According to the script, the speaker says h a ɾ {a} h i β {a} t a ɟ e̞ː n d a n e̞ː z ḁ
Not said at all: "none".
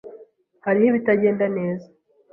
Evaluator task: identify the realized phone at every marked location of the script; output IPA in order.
i, i

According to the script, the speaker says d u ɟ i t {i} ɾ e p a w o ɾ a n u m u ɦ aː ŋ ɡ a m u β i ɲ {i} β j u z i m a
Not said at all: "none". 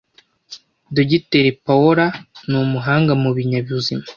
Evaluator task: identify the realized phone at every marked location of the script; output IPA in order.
e, a

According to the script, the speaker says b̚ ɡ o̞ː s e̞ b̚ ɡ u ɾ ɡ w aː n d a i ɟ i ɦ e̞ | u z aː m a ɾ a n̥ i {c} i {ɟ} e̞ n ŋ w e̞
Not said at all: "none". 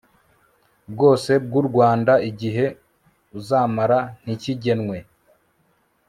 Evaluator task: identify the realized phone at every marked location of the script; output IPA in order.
c, ɟ

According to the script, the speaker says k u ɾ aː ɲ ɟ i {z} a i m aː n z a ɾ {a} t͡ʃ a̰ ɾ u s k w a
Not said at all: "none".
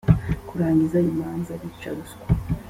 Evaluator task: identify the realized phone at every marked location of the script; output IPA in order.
z, i

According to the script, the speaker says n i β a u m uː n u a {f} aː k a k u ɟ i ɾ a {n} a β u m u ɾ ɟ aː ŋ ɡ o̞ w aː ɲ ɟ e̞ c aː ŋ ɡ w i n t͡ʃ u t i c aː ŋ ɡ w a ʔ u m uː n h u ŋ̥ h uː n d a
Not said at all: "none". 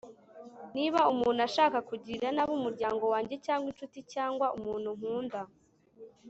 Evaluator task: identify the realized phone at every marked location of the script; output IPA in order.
ʃ, n

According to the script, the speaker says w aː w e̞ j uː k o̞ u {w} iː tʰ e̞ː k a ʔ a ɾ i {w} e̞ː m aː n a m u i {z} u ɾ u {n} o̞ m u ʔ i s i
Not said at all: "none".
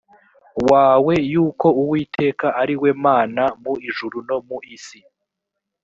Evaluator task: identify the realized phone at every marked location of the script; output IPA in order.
w, w, ʒ, n

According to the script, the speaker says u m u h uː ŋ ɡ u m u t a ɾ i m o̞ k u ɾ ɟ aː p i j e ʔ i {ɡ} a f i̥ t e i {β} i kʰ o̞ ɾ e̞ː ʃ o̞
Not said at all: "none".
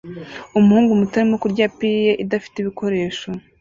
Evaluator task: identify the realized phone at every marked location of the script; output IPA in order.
d, β

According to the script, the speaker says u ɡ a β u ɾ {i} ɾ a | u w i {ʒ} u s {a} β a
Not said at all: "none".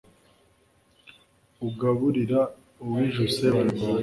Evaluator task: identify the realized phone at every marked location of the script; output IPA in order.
i, ʒ, e

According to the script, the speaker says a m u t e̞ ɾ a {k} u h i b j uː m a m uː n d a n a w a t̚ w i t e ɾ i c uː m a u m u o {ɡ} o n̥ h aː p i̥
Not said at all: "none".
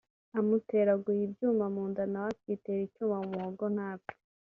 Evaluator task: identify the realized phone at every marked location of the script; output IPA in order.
ɡ, ɡ

